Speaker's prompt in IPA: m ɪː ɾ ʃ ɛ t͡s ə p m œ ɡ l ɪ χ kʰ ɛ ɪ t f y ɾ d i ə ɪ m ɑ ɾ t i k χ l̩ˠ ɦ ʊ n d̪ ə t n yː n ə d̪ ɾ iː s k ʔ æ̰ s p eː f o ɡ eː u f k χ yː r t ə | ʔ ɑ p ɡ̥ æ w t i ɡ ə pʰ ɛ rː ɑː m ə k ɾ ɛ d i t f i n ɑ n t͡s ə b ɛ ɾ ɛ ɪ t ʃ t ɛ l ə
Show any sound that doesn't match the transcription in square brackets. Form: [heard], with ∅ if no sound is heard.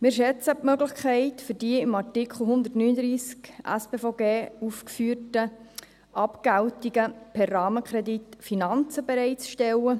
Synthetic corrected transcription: m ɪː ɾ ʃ ɛ t͡s ə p m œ ɡ l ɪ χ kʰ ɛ ɪ t f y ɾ d i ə ɪ m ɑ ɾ t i k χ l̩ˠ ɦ ʊ n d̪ ə t n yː n ə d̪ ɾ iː s k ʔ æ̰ s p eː f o ɡ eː u f k [f] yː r t ə | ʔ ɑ p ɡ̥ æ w t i ɡ ə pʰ ɛ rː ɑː m ə k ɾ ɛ d i t f i n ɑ n t͡s ə b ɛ ɾ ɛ ɪ [t͡s] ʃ t ɛ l ə